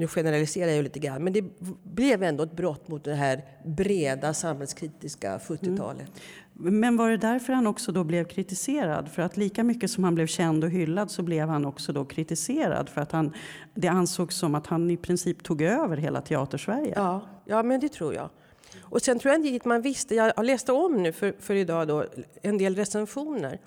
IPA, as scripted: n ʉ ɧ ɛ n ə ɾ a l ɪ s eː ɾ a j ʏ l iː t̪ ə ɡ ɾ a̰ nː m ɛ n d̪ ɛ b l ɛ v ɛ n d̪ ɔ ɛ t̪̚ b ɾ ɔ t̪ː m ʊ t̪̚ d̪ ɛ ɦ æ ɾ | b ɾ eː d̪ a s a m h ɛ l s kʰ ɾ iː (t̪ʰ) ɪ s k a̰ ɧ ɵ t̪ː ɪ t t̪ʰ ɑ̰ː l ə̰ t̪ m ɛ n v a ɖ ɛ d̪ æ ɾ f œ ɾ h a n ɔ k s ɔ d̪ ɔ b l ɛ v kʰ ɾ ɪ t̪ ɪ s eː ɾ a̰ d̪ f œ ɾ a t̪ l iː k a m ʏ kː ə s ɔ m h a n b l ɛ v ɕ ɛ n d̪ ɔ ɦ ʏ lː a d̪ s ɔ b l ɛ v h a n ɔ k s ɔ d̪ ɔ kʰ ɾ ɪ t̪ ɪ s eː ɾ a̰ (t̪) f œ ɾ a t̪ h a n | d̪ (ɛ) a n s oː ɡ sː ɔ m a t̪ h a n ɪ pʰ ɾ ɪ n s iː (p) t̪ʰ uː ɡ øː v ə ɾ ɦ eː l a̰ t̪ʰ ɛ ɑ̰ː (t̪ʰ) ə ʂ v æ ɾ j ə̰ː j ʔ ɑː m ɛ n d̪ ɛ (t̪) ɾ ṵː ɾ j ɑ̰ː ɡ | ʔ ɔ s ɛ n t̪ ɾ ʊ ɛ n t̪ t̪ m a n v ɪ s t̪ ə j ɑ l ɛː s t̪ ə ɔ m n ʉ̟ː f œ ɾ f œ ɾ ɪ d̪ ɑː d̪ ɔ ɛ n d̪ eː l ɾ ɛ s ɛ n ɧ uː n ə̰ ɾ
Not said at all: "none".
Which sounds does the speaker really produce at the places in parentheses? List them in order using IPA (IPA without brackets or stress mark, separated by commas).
t̪, d̪, ɛ, p, t̪, t̪ʰ